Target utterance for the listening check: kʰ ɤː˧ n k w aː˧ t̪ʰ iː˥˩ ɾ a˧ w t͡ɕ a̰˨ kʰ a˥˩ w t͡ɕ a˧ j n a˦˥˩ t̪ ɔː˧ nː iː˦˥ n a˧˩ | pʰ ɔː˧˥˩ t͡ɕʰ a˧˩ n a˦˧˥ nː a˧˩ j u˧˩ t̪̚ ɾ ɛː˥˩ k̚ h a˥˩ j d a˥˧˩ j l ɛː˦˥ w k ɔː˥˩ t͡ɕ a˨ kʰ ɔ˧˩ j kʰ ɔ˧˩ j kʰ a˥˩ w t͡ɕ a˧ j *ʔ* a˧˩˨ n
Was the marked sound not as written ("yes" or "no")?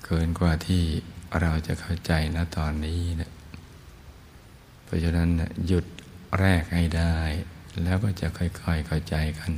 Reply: yes